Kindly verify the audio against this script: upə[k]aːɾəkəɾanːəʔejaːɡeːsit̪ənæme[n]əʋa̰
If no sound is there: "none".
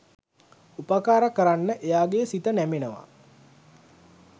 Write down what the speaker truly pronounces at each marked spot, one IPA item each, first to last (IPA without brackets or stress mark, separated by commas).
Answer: k, n